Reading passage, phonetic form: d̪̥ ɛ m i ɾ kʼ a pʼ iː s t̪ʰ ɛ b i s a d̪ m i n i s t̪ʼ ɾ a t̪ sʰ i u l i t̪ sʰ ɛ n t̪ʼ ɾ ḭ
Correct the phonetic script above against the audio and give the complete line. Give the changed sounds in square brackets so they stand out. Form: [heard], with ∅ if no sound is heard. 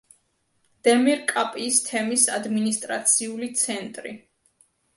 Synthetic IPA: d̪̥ ɛ m i ɾ kʼ a pʼ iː s t̪ʰ ɛ [m] i s a d̪ m i n i s t̪ʼ ɾ a t̪ sʰ i u l i t̪ sʰ ɛ n t̪ʼ ɾ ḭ